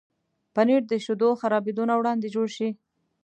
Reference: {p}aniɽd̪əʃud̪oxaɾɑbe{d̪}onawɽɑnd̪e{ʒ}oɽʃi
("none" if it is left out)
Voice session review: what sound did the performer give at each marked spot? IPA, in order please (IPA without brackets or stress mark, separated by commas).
p, d̪, d͡ʒ